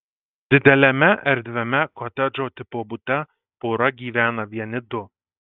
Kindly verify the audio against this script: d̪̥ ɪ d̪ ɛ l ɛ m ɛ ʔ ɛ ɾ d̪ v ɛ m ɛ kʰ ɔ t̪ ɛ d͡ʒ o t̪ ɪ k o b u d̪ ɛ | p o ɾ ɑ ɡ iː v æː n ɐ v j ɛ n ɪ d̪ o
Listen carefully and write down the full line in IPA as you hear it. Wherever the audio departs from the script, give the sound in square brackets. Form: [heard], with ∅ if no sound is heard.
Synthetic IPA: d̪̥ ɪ d̪ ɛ l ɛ m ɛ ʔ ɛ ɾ d̪ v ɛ m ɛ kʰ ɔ t̪ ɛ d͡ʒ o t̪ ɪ [p] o b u [t̪] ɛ | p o ɾ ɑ ɡ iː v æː n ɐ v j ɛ n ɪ d̪ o